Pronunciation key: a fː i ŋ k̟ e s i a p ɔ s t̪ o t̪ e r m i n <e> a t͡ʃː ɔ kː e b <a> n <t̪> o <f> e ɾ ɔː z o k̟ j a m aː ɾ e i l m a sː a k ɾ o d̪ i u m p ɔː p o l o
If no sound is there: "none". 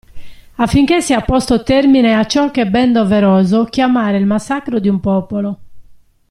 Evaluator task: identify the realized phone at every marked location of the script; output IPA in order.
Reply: e, ɛ, d̪, v

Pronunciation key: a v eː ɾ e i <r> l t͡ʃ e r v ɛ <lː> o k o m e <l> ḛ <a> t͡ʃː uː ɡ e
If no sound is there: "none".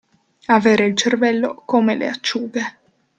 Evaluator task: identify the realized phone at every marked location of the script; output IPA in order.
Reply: none, lː, l, a

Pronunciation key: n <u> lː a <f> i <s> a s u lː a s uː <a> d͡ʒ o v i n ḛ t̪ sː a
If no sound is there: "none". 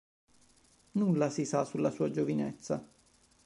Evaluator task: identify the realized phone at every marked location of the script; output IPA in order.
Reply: u, s, s, a

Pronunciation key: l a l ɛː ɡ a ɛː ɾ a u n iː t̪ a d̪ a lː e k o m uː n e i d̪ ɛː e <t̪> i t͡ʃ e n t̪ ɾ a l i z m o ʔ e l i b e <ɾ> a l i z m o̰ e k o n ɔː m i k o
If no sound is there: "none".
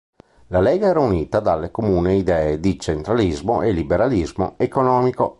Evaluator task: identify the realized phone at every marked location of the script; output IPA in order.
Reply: d̪, ɾ

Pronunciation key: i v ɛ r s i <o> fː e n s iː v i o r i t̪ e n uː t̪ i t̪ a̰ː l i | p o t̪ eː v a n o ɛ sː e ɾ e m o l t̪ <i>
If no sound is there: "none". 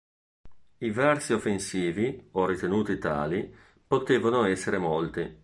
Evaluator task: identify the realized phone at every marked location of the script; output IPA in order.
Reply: o, i

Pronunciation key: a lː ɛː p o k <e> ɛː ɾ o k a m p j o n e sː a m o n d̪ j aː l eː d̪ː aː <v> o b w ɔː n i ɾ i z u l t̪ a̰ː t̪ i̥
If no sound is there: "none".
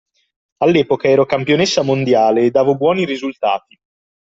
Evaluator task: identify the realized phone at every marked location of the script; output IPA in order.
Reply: a, v

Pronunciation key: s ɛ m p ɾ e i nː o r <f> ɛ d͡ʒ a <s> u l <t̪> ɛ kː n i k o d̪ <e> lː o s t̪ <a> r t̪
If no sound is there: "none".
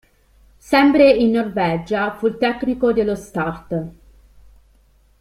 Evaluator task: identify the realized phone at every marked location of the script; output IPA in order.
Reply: v, f, t̪, e, a

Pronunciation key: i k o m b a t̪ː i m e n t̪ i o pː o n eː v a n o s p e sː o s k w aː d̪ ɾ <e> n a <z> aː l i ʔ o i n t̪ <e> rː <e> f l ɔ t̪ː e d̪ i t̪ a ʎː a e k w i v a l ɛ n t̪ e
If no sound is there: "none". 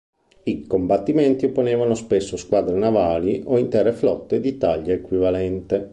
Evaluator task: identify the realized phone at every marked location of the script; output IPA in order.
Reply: e, v, ɛ, e

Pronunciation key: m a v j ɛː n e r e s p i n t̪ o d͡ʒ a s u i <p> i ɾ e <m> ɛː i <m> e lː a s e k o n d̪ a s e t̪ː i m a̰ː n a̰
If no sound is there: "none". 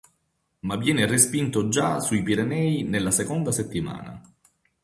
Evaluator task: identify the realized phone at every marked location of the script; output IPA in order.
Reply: p, n, n

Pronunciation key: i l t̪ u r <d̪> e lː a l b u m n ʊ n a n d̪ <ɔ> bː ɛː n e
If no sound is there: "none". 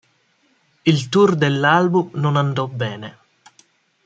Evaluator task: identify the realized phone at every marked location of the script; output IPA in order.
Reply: d̪, ɔ

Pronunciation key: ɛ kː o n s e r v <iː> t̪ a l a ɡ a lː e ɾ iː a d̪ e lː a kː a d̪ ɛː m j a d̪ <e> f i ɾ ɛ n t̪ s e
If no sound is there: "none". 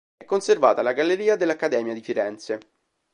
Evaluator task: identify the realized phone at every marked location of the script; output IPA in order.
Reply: aː, i

